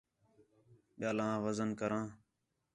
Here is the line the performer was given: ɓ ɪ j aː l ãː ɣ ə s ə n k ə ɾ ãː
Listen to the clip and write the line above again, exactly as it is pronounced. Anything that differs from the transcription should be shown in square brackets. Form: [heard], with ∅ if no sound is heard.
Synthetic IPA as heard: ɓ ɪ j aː l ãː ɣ ə [z] ə n k ə ɾ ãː